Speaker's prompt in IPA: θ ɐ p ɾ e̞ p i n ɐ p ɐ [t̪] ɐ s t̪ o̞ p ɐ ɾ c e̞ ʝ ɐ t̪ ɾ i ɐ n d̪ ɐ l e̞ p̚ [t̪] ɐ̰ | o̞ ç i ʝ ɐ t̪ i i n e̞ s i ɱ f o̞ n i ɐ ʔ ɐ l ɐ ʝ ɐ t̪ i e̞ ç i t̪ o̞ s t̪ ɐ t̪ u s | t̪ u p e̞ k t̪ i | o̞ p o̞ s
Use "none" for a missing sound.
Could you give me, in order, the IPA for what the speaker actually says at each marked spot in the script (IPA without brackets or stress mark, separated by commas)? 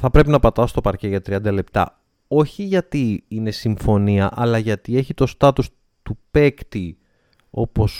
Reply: t̪, t̪